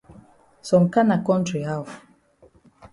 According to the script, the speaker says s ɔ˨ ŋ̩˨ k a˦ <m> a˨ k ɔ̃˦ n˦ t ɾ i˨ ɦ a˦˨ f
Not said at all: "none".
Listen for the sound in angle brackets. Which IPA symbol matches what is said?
n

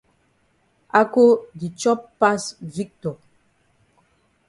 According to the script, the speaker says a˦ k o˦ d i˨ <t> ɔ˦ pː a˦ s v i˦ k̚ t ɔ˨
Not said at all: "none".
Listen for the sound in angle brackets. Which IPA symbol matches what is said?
t͡ʃ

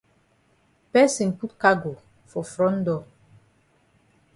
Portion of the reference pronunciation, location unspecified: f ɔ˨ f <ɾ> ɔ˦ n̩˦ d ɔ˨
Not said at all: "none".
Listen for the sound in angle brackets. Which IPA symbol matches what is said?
ɾ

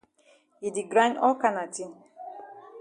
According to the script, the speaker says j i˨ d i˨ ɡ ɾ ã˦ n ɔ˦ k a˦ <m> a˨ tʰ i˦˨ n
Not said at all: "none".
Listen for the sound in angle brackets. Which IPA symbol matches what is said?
n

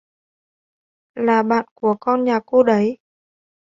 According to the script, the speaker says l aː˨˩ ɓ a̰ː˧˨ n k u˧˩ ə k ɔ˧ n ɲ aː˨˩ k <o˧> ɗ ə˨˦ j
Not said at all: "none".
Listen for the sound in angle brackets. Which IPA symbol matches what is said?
o˧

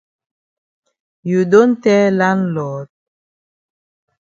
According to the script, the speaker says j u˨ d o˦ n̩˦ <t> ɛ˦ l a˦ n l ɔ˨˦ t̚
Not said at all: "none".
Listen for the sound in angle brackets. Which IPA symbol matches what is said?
t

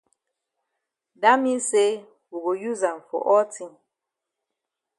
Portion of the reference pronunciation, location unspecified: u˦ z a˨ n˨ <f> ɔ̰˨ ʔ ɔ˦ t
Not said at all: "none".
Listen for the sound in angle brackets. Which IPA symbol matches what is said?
f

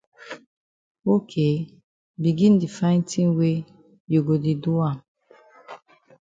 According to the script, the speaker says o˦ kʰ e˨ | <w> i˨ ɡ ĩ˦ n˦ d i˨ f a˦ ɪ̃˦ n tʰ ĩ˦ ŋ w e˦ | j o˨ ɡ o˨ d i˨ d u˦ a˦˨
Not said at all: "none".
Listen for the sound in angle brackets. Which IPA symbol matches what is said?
b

